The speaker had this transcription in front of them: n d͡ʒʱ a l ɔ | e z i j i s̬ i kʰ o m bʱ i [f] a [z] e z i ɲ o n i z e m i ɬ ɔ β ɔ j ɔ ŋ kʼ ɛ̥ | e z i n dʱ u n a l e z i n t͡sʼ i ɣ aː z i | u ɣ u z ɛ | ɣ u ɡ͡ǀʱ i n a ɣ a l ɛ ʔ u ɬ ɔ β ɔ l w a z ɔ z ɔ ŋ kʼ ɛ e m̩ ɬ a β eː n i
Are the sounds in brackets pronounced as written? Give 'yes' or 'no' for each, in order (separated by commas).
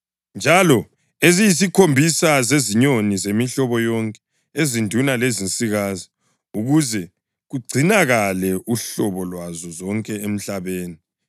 no, yes